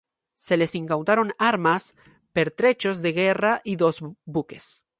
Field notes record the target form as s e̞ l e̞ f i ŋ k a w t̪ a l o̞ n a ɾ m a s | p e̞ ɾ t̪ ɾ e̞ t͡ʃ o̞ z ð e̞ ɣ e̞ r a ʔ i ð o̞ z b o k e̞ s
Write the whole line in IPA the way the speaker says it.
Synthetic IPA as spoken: s e̞ l e̞ s i ŋ k a w t̪ a ɾ o̞ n a ɾ m a s | p e̞ ɾ t̪ ɾ e̞ t͡ʃ o̞ z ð e̞ ɣ e̞ r a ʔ i ð o̞ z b u k e̞ s

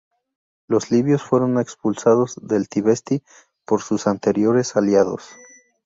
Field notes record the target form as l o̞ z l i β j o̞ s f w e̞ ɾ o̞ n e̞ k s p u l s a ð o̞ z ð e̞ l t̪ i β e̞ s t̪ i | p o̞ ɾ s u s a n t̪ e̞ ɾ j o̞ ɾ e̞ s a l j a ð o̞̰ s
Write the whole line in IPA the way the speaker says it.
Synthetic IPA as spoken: l o̞ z l i β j o̞ s f w e̞ ɾ o̞ n e̞ k s p u l s a ð o̞ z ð e̞ l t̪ i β e̞ s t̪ i | p o̞ ɾ s u s a n t̪ e̞ ɾ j o̞ ɾ e̞ s a l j a ð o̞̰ s

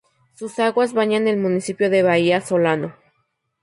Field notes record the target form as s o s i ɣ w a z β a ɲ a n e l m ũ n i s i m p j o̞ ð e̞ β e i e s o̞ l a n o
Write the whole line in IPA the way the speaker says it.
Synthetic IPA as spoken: s u s a ɣ w a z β a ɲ a n e l m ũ n i s i p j o̞ ð e̞ β a i a s o̞ l a n o

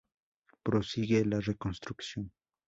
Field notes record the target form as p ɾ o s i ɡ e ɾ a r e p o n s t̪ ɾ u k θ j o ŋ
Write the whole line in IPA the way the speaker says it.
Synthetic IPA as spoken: p ɾ o s i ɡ e l a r e k o n s t̪ ɾ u k s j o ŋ

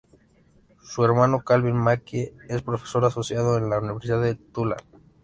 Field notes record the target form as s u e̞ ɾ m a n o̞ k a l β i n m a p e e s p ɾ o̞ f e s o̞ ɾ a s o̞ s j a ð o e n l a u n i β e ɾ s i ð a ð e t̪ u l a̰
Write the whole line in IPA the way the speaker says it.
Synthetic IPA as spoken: s u e̞ ɾ m a n o̞ k a l β i n m a k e e s p ɾ o̞ f e s o̞ ɾ a s o̞ s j a ð o e n l a u n i β e ɾ s i ð a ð e t̪ u l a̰

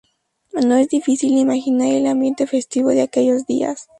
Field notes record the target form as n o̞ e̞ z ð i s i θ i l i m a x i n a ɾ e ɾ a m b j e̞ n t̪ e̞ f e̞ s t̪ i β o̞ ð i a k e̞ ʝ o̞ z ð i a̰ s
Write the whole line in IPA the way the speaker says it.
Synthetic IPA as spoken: n o̞ e̞ z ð i f i s i l i m a x i n a ɾ e l a m b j e̞ n t̪ e̞ f e̞ s t̪ i β o̞ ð e a k e̞ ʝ o̞ z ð i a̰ s

